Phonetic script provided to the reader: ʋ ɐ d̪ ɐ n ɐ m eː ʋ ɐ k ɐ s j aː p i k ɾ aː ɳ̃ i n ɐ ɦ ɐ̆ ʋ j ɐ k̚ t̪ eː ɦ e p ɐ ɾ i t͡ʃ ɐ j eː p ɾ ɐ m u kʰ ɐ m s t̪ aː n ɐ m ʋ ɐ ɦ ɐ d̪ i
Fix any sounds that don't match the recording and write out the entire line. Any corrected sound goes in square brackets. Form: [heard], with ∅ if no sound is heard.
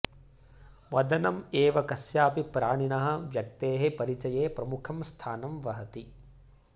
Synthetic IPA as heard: ʋ ɐ d̪ ɐ n ɐ m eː ʋ ɐ k ɐ s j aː p i [p] ɾ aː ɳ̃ i n ɐ ɦ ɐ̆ ʋ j ɐ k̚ t̪ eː ɦ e p ɐ ɾ i t͡ʃ ɐ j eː p ɾ ɐ m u kʰ ɐ m s [t̪ʰ] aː n ɐ m ʋ ɐ ɦ ɐ [t̪] i